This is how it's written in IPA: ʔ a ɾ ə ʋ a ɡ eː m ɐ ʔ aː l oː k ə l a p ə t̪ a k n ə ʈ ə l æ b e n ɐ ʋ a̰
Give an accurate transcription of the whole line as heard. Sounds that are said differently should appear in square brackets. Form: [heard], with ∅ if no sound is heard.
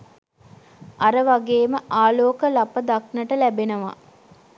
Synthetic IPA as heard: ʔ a ɾ ə ʋ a ɡ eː m [ə] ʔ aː l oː k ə l a p ə [d̪] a k n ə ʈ ə l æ b e n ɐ ʋ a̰